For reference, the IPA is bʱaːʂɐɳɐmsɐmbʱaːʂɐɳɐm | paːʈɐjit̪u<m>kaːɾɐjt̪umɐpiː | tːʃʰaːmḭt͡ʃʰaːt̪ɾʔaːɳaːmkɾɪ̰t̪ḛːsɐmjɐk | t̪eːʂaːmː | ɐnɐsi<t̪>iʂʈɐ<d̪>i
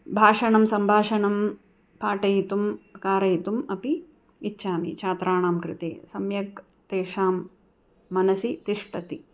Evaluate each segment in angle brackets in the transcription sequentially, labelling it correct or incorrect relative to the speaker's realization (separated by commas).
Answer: correct, correct, incorrect